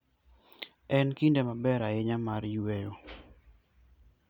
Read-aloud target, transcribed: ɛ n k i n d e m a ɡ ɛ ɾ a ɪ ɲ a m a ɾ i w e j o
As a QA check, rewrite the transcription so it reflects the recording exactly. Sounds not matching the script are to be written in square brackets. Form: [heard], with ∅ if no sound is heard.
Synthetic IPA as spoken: ɛ n k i n d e m a [b] ɛ ɾ a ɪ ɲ a m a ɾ [j] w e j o